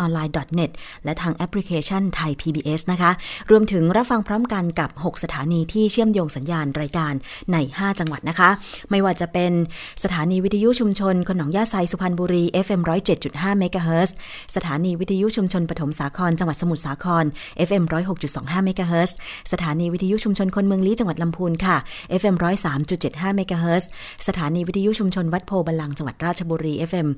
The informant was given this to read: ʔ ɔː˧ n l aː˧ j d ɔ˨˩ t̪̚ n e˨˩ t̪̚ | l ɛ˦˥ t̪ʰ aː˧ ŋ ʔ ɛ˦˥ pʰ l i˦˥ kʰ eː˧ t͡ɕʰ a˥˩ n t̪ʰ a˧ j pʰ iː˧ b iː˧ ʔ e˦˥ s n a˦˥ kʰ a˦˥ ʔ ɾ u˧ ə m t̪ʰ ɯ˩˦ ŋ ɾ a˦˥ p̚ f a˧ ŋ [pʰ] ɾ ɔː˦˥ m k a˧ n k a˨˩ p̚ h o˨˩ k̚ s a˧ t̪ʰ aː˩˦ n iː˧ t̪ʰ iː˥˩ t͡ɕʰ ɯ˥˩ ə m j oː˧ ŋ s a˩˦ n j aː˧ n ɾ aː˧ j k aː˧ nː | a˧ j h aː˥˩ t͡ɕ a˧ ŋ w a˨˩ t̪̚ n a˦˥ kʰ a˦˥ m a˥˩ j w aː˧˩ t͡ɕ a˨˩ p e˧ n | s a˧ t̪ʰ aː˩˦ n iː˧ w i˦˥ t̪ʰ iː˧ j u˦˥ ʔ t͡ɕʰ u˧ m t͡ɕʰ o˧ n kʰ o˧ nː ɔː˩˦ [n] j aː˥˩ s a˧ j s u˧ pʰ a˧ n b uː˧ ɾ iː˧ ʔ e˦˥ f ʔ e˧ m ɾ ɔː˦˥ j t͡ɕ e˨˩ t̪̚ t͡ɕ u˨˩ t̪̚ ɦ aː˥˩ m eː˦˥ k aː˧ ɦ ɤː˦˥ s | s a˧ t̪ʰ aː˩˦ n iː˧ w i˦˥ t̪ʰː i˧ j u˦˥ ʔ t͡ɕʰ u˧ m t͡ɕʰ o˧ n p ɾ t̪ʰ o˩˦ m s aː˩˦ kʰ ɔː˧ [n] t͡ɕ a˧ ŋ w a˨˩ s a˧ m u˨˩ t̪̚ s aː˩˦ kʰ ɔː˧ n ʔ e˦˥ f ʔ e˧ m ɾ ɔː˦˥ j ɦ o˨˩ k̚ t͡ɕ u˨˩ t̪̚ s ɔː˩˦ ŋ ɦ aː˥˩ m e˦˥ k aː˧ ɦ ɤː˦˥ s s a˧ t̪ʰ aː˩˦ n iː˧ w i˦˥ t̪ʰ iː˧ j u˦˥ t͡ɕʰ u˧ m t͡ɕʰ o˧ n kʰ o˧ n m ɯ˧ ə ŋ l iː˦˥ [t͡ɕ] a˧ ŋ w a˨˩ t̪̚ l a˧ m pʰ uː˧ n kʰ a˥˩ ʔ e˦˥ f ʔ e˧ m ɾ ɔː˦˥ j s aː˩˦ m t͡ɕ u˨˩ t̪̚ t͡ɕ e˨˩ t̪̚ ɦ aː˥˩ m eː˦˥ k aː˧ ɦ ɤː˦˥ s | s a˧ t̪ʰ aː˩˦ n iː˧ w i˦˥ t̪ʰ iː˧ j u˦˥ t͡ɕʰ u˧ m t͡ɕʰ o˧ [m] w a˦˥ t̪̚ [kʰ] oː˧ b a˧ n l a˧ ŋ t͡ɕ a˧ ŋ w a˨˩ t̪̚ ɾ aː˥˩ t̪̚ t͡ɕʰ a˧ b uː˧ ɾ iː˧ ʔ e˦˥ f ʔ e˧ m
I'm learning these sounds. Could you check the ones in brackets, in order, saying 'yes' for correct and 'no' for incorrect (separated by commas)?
yes, no, yes, yes, no, no